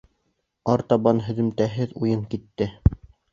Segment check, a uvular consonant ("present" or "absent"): absent